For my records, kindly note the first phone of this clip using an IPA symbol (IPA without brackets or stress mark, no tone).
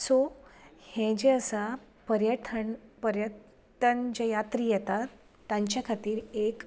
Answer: s